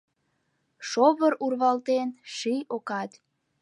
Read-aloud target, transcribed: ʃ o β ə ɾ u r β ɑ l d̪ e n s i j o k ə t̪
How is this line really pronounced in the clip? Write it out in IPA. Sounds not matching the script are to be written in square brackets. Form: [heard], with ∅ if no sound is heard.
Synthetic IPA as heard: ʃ o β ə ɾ u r β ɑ l [t̪] e n [ʃ] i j o k [ɑ] t̪